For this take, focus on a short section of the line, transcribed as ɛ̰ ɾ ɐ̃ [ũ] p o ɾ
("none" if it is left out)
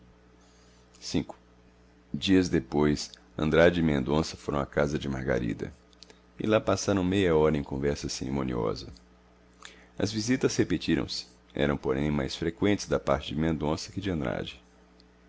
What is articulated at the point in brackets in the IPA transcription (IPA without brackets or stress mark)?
w̃